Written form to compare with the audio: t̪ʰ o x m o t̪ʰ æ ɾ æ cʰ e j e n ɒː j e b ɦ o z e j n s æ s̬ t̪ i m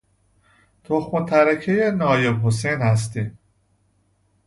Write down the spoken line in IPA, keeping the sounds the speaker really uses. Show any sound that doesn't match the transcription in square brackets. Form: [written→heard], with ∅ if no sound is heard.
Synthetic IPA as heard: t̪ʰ o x m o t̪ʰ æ ɾ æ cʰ e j e n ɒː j e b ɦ o [z→s] e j n [s→h] æ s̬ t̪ i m